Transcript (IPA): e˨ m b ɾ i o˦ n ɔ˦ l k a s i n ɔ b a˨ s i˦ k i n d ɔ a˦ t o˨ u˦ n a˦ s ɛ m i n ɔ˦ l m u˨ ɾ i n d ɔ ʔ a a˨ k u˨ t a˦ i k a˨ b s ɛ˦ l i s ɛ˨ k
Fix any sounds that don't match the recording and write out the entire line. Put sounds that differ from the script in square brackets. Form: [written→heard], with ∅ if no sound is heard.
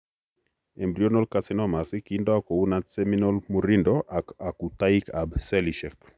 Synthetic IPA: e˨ m b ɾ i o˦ n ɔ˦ l k a s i n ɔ [b→m] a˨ s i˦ k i n d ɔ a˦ [t→k] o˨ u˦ n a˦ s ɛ m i n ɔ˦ l m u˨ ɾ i n d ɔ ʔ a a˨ k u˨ t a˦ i k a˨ b s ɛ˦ l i [s→ʃ] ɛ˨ k